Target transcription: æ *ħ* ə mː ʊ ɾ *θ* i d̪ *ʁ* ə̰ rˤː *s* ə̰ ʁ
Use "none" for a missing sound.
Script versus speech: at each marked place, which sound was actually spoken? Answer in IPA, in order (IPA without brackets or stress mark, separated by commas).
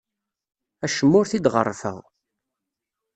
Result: ʃ, θ, ʁ, f